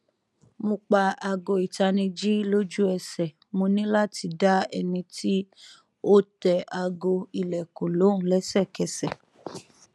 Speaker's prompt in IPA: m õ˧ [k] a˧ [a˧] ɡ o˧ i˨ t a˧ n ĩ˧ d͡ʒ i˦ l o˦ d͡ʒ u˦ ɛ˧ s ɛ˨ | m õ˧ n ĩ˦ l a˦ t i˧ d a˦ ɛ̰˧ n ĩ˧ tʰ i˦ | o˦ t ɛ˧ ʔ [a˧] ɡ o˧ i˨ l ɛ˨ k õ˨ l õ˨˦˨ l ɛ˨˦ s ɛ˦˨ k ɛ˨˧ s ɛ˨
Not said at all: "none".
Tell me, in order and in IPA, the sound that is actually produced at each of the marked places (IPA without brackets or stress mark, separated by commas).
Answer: k͡p, a˧, a˧